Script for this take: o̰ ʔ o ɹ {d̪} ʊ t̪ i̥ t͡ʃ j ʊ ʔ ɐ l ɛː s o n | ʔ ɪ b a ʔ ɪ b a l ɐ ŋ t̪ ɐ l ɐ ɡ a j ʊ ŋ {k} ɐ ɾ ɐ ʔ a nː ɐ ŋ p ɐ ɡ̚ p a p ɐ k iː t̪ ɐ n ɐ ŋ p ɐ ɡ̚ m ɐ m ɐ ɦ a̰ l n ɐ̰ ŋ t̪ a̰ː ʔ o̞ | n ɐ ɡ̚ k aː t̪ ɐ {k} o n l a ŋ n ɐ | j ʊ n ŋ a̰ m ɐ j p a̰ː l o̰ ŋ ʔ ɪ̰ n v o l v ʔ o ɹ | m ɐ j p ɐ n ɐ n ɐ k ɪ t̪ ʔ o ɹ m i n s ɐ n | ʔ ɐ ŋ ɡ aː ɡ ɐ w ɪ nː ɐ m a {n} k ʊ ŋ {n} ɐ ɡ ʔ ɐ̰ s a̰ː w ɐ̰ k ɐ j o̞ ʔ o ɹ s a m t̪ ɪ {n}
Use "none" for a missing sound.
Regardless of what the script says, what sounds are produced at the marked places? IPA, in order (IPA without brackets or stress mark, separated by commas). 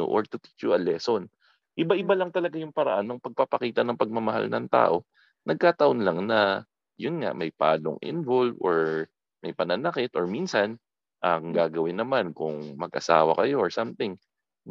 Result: t̪, p, ʔ, n, m, ŋ